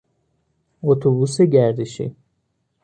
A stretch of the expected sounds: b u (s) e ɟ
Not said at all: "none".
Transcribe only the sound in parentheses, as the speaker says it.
s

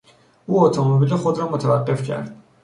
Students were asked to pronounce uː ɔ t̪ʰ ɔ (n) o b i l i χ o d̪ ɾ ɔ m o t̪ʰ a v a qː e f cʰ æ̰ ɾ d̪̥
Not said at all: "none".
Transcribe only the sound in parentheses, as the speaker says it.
m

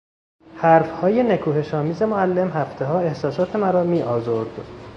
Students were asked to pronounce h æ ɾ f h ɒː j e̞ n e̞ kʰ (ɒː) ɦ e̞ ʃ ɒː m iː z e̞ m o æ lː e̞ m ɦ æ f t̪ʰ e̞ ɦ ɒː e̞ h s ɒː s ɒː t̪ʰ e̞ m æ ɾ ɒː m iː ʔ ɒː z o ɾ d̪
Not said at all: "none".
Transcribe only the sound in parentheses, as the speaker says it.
uː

